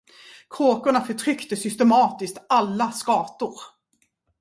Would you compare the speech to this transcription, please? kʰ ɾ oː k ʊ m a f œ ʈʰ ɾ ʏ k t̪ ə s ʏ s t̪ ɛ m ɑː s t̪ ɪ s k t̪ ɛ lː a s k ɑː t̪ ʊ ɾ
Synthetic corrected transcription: kʰ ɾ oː k ʊ ɳ a f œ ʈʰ ɾ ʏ k t̪ ə s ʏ s t̪ ɛ m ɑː t̪ ɪ s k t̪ a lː a s k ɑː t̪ ʊ ɾ